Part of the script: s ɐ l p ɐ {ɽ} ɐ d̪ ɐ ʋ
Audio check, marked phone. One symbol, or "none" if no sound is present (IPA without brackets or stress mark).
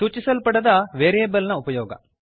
ɽ